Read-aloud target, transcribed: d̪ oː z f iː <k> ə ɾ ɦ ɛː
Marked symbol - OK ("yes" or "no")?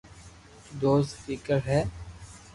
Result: yes